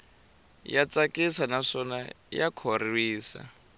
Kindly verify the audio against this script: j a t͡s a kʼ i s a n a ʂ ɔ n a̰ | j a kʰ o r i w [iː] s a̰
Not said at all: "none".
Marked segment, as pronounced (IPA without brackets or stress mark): iː